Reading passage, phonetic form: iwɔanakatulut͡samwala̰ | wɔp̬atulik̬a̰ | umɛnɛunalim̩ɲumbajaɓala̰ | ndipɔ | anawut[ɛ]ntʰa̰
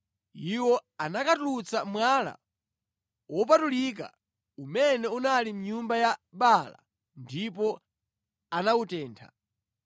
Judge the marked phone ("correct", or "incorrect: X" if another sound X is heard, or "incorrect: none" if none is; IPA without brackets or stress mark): incorrect: ɛː